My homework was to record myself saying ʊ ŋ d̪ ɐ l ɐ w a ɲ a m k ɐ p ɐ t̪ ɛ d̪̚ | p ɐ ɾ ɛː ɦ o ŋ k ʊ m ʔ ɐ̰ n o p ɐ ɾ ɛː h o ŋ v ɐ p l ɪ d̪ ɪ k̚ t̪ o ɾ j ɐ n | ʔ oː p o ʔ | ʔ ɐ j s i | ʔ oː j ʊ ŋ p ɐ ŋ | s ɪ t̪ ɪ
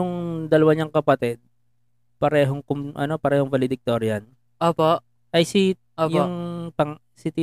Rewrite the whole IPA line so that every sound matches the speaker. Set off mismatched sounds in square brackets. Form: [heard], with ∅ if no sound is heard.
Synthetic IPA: ʊ ŋ d̪ ɐ l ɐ w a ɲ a [ŋ] k ɐ p ɐ t̪ ɛ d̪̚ | p ɐ ɾ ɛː ɦ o ŋ k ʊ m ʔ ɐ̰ n o p ɐ ɾ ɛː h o ŋ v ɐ [∅] l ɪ d̪ ɪ k̚ t̪ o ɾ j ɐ n | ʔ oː p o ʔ | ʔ ɐ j s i | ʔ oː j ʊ ŋ p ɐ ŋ | s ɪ t̪ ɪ